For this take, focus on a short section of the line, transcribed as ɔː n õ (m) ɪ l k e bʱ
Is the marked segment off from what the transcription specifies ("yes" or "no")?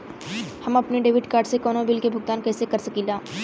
yes